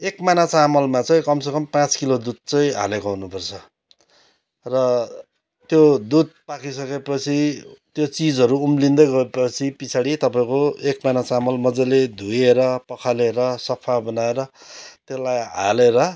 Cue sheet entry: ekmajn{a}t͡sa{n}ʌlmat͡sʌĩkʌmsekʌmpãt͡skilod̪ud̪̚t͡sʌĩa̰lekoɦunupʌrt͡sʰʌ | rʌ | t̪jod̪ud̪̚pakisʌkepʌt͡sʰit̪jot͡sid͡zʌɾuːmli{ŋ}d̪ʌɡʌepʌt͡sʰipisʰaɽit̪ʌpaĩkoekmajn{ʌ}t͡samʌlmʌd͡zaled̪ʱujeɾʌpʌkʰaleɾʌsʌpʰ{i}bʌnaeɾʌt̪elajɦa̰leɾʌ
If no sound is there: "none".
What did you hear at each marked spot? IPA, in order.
a, m, n, a, a

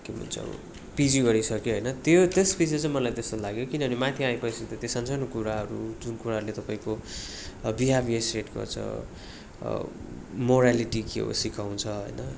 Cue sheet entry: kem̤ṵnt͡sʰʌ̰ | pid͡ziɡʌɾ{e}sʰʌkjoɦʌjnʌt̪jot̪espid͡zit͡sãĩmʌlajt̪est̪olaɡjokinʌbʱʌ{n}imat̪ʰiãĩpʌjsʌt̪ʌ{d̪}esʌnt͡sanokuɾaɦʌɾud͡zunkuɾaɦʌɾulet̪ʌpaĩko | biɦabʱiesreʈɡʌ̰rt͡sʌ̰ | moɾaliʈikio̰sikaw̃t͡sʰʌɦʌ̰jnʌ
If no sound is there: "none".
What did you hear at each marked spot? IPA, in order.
i, n, t̪

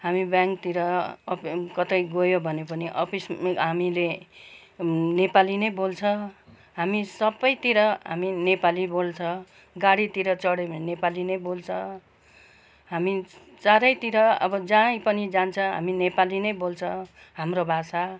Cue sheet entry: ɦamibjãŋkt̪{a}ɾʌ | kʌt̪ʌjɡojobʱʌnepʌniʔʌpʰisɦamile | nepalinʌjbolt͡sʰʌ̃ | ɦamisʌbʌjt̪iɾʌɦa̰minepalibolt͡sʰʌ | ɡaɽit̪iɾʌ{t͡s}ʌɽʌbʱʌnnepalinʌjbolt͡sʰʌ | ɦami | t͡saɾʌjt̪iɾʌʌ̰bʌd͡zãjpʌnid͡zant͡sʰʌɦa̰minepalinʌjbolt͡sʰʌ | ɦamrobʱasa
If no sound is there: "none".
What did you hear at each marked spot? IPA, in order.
i, t͡s

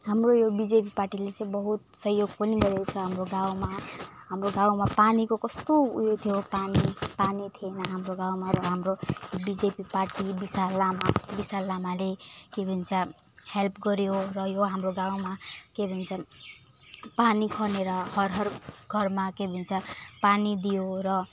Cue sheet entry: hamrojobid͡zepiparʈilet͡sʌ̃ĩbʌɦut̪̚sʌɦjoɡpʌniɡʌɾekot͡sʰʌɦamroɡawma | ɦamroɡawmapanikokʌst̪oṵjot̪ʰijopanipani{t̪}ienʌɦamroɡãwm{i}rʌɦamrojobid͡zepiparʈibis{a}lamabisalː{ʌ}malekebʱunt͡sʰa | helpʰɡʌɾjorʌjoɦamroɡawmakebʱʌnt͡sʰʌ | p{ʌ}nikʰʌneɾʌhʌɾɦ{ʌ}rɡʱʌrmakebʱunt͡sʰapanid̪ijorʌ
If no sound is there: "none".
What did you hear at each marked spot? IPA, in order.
t̪ʰ, a, a, a, a, ʌ

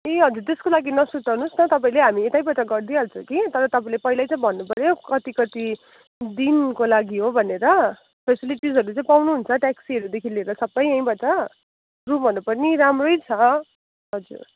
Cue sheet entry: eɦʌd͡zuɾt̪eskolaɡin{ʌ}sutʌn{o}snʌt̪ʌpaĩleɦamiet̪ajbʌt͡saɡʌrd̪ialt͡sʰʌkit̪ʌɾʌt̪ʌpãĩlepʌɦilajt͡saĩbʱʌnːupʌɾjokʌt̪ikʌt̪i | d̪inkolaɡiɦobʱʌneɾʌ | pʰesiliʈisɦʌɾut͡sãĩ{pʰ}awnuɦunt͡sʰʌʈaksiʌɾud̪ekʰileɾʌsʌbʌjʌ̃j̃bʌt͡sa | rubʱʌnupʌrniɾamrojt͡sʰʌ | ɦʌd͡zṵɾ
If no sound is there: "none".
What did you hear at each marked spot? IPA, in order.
ʌ, u, p

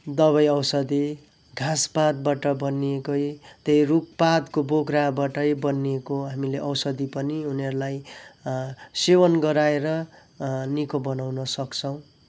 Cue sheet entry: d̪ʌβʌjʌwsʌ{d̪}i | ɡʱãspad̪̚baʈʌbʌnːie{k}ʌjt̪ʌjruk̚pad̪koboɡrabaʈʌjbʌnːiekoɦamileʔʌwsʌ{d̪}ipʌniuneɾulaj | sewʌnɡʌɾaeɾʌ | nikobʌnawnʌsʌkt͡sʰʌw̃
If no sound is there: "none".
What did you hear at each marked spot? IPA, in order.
d̪, k, d̪

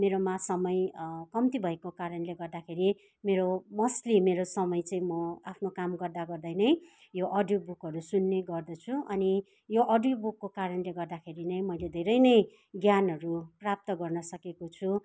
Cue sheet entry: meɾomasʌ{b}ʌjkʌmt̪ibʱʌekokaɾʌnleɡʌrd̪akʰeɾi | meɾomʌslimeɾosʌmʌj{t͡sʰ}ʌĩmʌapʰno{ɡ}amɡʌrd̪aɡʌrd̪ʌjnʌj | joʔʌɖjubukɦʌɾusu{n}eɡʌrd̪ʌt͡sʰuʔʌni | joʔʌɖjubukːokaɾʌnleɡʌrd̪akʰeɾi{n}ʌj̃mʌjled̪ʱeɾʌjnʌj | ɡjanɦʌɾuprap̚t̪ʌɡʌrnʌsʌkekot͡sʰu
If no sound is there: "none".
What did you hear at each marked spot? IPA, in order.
m, t͡s, k, nː, n

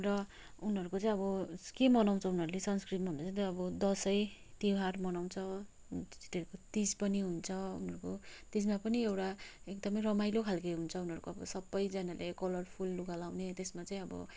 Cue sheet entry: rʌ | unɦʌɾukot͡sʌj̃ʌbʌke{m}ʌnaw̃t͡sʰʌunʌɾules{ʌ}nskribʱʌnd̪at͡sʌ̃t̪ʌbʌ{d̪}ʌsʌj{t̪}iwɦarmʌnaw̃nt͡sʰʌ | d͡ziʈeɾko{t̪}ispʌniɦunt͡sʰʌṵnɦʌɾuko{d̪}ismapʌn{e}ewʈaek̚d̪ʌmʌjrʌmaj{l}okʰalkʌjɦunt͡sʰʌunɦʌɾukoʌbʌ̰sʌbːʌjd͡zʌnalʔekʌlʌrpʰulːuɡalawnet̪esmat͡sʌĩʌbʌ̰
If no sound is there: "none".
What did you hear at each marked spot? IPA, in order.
m, ʌ, d̪, t̪, t̪, t̪, i, l

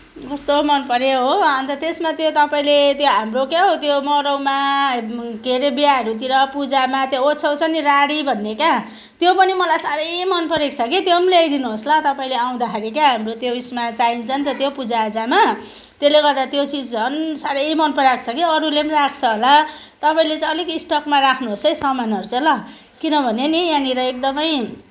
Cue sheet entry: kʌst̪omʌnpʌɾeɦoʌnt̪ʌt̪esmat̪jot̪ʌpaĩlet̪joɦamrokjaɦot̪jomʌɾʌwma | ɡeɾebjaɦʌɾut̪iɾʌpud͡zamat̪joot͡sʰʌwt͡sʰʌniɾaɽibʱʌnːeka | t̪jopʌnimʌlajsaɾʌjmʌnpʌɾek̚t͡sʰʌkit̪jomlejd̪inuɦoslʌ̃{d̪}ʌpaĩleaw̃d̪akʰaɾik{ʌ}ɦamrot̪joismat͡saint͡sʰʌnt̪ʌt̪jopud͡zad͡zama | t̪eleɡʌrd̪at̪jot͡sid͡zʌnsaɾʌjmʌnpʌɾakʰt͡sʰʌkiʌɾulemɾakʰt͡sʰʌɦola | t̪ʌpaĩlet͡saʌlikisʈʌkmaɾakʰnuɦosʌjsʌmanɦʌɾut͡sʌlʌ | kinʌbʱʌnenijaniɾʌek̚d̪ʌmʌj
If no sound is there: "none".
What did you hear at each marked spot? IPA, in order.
t̪, a

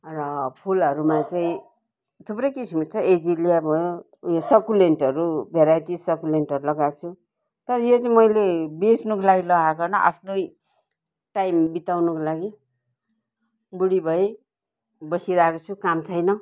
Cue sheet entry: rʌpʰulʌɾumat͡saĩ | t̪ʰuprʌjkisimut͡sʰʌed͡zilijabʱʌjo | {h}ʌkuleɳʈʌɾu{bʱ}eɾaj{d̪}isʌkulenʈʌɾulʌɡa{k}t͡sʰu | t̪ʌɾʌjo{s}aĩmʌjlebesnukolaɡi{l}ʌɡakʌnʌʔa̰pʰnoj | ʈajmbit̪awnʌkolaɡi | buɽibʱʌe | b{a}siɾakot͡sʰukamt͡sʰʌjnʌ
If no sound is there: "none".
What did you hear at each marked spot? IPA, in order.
s, bʱ, t̪, k, t͡s, l, ʌ

